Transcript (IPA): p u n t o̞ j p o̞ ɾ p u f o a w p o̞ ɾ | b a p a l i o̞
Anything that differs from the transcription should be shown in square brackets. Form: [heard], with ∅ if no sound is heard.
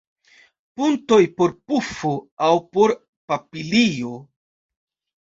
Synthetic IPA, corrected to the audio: p u n t o̞ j p o̞ ɾ p u f o a w p o̞ ɾ | [p] a p [i] l i o̞